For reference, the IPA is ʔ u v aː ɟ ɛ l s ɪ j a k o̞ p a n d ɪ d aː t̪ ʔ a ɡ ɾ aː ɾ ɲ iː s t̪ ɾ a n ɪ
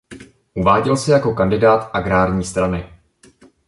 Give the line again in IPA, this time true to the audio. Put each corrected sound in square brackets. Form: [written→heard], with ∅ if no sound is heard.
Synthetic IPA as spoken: ʔ u v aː ɟ ɛ l s ɪ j a k o̞ [p→k] a n d ɪ d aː t̪ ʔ a ɡ ɾ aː ɾ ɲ iː s t̪ ɾ a n ɪ